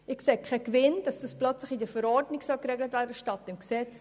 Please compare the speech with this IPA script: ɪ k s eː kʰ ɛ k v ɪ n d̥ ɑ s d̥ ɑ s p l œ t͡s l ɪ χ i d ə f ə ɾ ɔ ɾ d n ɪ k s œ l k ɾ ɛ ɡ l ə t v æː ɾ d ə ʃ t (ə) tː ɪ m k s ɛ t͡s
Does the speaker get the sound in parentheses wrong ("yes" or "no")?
yes